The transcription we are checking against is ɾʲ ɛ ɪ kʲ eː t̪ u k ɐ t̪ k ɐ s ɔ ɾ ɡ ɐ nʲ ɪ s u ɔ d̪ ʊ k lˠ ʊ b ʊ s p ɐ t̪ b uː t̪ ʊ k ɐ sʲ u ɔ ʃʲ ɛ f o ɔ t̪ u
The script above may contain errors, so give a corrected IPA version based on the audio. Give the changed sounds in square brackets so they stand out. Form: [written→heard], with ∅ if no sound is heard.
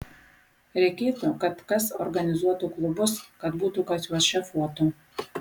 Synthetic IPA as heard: ɾʲ ɛ ɪ kʲ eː t̪ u k ɐ t̪ k ɐ s ɔ ɾ ɡ ɐ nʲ ɪ [s→z] u ɔ [d̪→t̪] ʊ k lˠ ʊ b ʊ s [p→k] ɐ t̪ b uː t̪ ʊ k ɐ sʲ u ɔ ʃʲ ɛ f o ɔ t̪ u